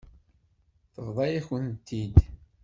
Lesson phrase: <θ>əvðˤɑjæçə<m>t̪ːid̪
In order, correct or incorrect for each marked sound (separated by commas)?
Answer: correct, incorrect